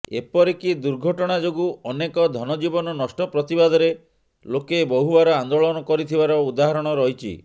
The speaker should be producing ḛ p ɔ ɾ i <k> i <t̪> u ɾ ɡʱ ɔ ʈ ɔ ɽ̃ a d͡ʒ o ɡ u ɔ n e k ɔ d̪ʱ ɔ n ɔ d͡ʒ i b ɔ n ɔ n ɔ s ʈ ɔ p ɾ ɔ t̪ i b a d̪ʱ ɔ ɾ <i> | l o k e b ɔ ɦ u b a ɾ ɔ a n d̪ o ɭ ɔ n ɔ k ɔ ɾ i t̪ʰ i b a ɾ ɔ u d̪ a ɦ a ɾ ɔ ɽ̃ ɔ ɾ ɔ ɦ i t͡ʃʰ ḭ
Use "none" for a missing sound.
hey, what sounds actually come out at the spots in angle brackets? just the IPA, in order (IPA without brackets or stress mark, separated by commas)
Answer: k, d̪, e